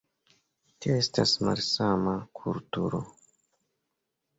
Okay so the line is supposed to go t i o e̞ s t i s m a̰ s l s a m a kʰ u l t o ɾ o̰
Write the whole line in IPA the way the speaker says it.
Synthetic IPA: t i o e̞ s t a s m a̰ l s a m a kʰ u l t u ɾ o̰